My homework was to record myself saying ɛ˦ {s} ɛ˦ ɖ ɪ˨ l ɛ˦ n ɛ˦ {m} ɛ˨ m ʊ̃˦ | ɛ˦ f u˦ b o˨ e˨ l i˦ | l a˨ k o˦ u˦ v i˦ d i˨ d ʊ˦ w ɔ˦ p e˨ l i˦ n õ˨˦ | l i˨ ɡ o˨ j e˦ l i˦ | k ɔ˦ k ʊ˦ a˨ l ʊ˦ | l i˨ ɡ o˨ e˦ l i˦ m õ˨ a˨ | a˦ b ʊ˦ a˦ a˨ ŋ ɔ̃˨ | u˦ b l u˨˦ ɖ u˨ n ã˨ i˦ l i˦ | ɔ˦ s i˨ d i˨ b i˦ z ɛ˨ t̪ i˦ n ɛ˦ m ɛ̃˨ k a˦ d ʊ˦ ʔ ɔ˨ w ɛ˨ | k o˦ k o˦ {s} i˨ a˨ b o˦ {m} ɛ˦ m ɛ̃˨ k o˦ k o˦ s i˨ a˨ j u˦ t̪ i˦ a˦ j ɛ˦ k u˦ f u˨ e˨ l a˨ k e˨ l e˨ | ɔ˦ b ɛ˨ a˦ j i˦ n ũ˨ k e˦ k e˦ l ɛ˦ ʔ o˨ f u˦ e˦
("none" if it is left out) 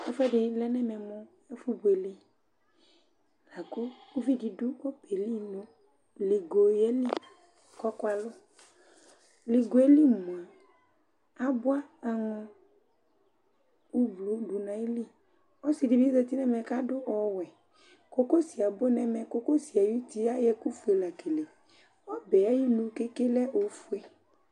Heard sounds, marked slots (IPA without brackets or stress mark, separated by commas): f, m, s, n